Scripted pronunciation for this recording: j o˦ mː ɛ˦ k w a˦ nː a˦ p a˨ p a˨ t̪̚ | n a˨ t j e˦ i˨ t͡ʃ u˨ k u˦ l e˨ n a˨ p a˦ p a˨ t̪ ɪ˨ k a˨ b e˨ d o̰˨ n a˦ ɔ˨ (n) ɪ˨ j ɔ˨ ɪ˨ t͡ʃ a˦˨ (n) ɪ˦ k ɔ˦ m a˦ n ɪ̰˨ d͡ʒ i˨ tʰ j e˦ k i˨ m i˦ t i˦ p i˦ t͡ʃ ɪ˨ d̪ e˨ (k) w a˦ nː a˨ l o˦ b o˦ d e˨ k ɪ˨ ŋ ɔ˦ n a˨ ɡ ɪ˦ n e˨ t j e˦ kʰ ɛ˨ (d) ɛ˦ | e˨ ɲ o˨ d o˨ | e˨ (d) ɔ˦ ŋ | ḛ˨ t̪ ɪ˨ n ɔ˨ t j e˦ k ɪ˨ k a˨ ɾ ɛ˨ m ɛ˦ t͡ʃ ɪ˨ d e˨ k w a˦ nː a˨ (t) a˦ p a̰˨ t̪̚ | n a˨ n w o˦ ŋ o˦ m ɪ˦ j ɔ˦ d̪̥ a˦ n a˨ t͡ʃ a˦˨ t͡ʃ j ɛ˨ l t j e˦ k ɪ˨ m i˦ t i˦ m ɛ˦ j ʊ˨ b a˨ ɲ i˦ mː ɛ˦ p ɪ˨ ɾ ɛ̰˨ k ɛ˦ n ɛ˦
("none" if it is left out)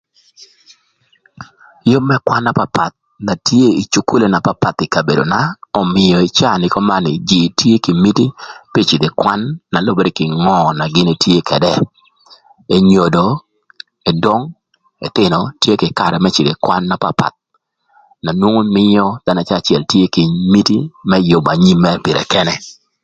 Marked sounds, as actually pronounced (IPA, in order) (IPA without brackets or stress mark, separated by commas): m, n, k, d, d, p